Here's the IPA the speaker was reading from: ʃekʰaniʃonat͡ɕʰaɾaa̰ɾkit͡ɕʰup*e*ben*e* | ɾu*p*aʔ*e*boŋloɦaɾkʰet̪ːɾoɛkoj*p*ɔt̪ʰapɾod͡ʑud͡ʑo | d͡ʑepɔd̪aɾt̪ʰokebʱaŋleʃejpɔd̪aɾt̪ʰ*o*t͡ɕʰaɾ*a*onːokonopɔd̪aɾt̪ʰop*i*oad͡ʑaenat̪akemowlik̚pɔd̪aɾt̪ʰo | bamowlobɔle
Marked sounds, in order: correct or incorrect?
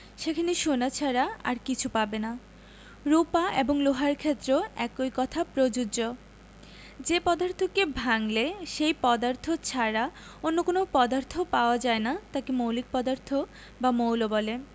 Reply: incorrect, incorrect, correct, correct, incorrect, correct, correct, incorrect

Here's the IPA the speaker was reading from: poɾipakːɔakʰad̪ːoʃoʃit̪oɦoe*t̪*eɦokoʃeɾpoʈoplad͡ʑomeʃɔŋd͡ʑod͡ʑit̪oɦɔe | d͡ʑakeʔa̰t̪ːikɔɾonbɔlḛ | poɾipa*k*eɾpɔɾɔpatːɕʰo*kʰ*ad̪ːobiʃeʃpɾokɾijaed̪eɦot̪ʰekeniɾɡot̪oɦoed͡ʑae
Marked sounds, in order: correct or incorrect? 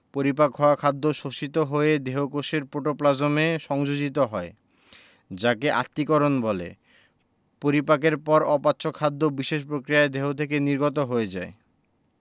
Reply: incorrect, correct, correct

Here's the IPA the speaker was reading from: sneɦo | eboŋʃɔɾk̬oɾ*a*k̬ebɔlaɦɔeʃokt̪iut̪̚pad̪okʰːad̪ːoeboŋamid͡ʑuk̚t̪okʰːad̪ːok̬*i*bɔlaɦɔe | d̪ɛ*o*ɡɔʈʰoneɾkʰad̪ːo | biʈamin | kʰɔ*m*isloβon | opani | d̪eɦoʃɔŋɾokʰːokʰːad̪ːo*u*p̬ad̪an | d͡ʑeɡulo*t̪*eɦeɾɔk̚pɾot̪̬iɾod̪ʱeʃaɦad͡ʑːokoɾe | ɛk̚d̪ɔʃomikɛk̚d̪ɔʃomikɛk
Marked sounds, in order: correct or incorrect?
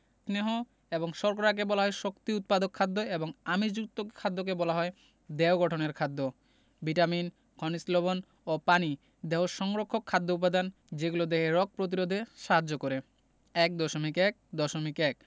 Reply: correct, incorrect, correct, incorrect, correct, incorrect

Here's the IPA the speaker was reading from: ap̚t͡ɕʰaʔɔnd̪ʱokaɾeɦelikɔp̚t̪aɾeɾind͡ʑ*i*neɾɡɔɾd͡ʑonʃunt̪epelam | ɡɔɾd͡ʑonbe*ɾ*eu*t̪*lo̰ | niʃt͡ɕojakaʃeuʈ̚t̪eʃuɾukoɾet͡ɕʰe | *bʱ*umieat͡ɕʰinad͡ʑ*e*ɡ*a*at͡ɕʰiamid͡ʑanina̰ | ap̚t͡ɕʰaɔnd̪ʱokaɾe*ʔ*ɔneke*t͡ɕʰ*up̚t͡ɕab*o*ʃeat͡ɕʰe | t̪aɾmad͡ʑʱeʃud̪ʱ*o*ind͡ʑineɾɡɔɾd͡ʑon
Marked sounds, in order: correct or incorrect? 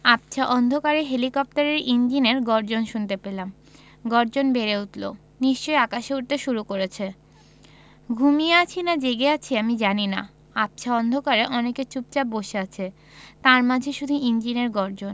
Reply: correct, correct, correct, incorrect, correct, incorrect, correct, incorrect, correct, incorrect

